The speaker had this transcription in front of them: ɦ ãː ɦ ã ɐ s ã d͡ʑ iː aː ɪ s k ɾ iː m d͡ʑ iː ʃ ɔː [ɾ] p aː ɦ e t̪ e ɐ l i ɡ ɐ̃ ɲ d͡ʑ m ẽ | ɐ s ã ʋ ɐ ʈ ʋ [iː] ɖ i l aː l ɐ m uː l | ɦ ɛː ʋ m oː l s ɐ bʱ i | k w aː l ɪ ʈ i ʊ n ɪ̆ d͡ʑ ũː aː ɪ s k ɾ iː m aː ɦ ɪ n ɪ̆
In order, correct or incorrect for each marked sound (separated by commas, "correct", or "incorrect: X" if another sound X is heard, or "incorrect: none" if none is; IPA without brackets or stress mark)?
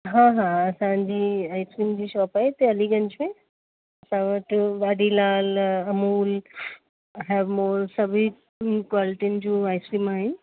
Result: incorrect: none, incorrect: aː